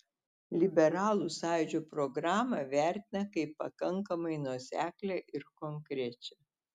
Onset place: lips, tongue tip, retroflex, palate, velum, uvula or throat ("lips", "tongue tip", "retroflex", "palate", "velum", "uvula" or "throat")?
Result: tongue tip